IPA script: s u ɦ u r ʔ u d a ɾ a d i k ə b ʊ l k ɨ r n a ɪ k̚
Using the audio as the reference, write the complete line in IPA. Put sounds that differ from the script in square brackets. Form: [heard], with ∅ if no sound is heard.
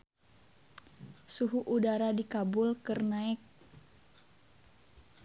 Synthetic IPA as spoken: s u ɦ u [∅] ʔ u d a ɾ a d i k [a] b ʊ l k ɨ r n a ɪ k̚